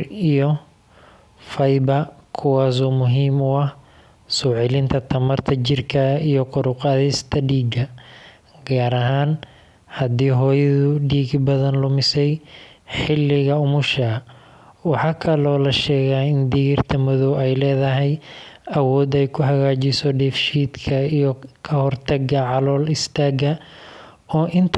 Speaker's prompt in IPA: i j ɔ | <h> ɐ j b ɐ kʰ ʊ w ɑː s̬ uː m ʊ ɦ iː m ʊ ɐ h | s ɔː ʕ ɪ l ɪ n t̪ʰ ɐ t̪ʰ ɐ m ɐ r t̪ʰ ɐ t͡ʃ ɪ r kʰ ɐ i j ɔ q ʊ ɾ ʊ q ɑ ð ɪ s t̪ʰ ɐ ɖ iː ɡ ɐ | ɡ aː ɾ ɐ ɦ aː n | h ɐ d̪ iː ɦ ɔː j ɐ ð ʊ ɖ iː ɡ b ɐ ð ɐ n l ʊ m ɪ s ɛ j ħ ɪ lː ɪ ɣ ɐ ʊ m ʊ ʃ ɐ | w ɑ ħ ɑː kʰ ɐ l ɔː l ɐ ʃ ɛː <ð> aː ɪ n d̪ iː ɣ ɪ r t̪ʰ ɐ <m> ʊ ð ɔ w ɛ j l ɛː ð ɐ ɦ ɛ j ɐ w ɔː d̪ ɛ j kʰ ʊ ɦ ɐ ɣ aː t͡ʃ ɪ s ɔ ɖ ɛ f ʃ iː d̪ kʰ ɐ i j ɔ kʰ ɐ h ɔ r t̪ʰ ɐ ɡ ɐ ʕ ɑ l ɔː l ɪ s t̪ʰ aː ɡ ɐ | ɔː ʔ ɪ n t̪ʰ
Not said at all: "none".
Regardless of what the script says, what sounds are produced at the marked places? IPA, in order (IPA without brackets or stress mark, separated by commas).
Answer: f, ɣ, m